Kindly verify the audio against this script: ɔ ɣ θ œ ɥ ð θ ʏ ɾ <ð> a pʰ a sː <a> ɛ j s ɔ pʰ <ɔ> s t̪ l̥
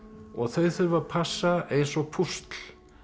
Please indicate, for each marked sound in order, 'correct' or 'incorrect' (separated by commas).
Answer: incorrect, correct, incorrect